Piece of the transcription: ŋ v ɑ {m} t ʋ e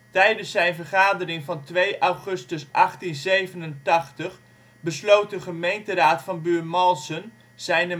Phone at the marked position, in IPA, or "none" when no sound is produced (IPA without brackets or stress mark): n